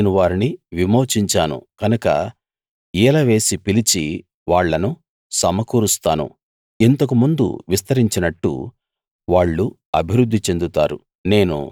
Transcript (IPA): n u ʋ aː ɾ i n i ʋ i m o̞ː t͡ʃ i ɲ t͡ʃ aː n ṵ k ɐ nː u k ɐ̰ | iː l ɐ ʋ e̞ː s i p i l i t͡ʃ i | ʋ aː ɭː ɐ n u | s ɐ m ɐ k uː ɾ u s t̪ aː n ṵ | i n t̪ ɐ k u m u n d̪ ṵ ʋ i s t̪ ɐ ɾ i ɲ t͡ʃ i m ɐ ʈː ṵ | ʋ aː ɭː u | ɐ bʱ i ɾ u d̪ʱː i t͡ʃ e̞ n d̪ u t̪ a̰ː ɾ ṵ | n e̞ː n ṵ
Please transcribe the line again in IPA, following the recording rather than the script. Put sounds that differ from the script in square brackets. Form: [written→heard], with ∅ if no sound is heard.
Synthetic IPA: n u ʋ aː ɾ i n i ʋ i m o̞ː t͡ʃ i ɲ t͡ʃ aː n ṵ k ɐ [nː→n] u k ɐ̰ | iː l ɐ ʋ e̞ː s i p i l i t͡ʃ i | ʋ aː ɭː ɐ n u | s ɐ m ɐ k uː ɾ u s t̪ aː n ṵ | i n t̪ ɐ k u m u n d̪ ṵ ʋ i s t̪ ɐ ɾ i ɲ t͡ʃ i [m→n] ɐ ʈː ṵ | ʋ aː ɭː u | ɐ bʱ i ɾ u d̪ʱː i t͡ʃ e̞ n d̪ u t̪ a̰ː ɾ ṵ | n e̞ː n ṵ

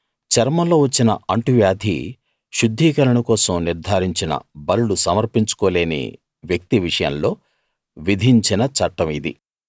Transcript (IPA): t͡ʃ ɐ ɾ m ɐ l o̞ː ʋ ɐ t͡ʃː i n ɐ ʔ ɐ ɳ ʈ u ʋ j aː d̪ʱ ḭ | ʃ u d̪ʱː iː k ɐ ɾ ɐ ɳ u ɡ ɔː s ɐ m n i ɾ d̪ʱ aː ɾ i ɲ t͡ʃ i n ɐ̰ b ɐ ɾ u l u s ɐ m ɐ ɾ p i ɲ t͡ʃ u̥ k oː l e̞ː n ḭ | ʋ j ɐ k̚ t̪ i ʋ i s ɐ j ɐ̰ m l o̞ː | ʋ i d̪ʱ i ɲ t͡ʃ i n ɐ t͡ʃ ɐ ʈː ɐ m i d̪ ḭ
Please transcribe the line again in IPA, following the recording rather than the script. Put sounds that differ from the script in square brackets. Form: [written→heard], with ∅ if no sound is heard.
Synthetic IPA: t͡ʃ ɐ ɾ m ɐ l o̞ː ʋ ɐ t͡ʃː i n ɐ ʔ ɐ ɳ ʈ u ʋ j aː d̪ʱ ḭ | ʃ u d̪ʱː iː k ɐ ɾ ɐ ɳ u [ɡ→k] ɔː s ɐ m n i ɾ d̪ʱ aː ɾ i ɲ t͡ʃ i n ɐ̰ b ɐ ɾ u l u s ɐ m ɐ ɾ p i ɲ t͡ʃ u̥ k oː l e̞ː n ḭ | ʋ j ɐ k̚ t̪ i ʋ i [s→ʂ] ɐ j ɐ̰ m l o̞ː | ʋ i d̪ʱ i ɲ t͡ʃ i n ɐ t͡ʃ ɐ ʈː ɐ m i d̪ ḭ

